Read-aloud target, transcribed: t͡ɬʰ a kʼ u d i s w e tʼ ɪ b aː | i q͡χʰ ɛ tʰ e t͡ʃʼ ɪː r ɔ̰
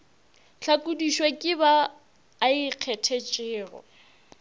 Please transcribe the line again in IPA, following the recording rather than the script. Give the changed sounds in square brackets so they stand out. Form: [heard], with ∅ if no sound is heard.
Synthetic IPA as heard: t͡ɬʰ a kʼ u d i [ʃ] w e [kʼ] ɪ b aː | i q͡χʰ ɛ tʰ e t͡ʃʼ ɪː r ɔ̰